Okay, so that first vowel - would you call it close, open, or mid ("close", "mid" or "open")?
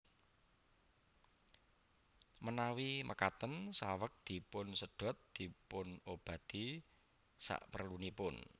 mid